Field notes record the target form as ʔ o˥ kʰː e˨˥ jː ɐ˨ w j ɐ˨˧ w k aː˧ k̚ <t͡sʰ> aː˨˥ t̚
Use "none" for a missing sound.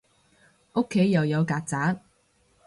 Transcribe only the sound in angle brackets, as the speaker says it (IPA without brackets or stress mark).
t͡s